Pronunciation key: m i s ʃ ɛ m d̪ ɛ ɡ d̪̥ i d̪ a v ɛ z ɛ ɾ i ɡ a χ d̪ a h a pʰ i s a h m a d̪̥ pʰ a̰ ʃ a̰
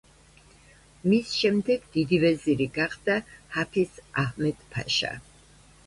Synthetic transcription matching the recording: m i s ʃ ɛ m d̪ ɛ ɡ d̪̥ i d̪ i v ɛ z i ɾ i ɡ a χ d̪ a h a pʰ i s a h m ɛ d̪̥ pʰ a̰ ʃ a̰